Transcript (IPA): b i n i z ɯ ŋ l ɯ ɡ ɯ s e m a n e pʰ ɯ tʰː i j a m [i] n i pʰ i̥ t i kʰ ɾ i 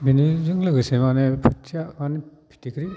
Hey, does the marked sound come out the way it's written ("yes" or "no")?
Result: no